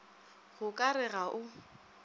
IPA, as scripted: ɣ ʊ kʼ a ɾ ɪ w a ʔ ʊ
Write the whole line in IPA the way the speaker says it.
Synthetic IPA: ɣ ʊ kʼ a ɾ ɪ ɣ a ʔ ʊ